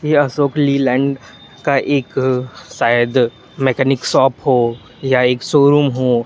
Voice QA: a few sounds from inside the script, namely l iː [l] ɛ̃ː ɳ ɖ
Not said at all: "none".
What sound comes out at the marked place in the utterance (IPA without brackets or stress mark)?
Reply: l